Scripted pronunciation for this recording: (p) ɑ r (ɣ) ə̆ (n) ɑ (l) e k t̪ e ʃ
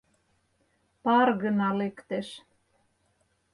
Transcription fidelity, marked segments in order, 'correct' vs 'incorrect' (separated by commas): correct, correct, correct, correct